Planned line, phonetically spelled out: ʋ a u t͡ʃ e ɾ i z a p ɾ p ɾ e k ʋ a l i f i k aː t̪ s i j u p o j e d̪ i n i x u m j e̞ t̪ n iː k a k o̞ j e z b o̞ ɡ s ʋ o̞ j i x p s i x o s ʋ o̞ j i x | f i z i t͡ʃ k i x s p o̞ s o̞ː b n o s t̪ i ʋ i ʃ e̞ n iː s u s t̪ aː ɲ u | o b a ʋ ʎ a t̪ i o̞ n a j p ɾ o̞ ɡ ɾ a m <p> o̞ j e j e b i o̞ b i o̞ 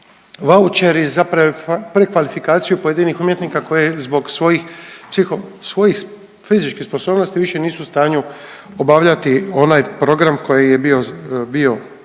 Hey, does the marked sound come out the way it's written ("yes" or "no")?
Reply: no